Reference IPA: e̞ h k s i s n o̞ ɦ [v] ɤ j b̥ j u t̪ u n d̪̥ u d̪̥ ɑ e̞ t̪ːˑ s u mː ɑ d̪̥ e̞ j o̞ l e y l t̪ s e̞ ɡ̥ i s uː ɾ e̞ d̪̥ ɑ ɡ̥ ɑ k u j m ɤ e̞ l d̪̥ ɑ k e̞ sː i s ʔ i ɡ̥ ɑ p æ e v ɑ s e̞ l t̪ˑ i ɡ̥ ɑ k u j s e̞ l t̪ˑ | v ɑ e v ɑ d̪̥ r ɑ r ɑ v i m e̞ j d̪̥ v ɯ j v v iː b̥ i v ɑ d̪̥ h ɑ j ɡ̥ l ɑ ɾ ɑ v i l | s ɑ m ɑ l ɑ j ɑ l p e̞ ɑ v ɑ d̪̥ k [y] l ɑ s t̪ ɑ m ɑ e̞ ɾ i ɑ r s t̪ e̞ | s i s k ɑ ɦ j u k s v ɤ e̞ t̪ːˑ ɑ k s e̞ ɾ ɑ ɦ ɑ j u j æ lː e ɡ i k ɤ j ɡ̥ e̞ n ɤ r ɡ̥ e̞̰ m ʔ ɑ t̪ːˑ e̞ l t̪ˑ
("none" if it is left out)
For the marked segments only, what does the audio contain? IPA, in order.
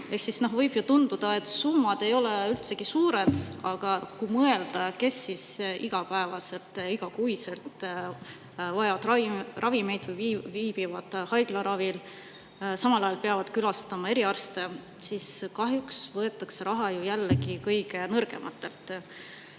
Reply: v, y

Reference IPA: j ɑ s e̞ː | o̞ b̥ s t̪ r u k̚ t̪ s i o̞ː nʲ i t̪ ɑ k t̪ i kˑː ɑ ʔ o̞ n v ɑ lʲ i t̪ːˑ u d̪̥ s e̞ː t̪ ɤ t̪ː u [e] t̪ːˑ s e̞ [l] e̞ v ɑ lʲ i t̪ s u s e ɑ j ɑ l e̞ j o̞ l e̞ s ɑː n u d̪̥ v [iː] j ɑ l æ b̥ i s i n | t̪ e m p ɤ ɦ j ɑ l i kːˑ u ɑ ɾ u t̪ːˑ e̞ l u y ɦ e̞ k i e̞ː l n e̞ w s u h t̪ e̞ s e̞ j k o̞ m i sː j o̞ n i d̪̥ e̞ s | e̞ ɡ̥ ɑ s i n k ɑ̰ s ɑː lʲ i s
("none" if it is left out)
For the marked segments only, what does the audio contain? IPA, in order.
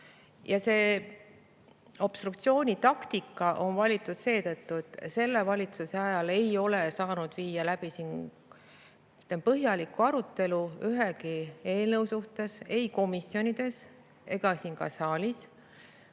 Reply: e, lː, iː

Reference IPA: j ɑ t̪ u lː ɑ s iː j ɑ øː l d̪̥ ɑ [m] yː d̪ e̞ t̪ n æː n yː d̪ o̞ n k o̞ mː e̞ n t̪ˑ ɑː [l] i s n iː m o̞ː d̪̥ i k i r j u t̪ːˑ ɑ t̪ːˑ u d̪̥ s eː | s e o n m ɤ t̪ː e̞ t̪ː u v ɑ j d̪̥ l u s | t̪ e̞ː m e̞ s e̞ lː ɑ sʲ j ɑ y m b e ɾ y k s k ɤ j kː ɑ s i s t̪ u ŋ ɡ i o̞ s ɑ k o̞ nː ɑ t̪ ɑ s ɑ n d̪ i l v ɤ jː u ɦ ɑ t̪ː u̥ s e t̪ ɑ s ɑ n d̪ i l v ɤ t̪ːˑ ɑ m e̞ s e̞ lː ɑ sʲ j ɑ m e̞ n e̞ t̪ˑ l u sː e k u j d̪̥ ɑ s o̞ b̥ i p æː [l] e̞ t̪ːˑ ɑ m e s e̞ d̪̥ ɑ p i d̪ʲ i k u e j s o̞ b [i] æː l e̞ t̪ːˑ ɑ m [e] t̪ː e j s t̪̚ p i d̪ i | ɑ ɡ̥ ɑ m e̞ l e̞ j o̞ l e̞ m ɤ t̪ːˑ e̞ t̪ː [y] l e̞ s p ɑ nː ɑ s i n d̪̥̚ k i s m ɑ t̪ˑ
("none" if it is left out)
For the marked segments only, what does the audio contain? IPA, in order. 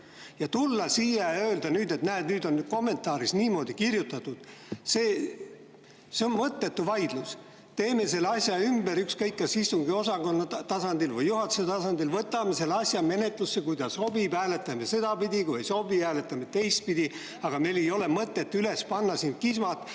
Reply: n, ɾ, l, i, e, y

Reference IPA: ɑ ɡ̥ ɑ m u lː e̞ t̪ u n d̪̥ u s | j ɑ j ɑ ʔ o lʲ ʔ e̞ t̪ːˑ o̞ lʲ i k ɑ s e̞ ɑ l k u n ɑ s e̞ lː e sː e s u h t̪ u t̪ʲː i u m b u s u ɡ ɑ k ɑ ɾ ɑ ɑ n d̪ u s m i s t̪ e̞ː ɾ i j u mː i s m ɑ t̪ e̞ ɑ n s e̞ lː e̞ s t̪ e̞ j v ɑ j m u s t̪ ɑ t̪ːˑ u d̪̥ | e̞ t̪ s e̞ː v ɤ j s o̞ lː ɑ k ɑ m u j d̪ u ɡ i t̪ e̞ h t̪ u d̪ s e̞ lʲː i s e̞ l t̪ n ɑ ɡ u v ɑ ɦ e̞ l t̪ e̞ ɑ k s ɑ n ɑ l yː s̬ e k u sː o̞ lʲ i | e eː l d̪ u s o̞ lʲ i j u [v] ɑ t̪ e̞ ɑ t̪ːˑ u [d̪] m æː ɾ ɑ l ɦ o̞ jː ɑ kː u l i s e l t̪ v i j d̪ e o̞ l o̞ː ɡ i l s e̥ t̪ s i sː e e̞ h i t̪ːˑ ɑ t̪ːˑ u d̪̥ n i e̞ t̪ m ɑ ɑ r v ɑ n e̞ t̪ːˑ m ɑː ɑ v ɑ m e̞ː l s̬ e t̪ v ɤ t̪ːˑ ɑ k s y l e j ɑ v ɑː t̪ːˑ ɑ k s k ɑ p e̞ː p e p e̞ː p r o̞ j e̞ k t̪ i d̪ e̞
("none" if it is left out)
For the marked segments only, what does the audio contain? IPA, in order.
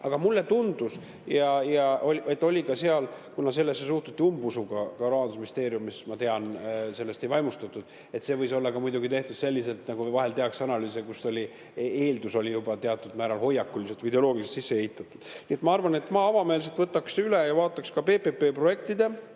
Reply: b, d̪

